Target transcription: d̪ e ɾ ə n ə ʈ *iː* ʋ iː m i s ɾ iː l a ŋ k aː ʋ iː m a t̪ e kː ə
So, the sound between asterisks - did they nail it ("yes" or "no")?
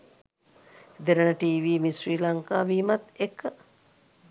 yes